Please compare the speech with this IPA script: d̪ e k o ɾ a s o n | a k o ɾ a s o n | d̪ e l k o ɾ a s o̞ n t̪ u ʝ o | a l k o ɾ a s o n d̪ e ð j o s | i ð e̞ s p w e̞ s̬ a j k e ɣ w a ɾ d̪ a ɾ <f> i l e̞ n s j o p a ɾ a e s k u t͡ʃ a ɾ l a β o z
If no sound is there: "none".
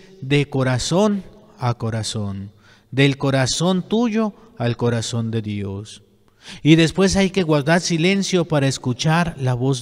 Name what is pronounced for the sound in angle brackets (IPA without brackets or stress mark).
s